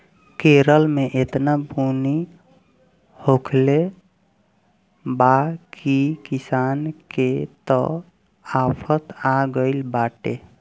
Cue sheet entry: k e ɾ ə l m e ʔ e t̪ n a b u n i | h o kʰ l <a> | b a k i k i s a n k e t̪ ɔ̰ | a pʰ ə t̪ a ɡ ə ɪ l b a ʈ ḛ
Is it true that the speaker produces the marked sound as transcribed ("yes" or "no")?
no